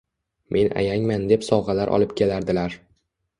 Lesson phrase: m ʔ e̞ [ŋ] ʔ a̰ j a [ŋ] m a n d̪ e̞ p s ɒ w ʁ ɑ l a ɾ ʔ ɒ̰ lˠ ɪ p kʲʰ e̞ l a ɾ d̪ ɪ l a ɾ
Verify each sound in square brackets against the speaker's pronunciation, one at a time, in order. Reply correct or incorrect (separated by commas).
incorrect, correct